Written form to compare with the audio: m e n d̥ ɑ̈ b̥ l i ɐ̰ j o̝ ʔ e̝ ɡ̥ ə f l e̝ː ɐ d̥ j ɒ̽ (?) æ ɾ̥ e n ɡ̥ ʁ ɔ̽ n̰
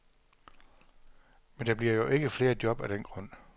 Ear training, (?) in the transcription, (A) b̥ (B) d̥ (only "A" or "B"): A